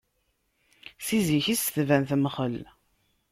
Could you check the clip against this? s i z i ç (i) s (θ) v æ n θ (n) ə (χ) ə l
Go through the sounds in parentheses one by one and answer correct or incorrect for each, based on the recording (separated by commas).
correct, correct, incorrect, correct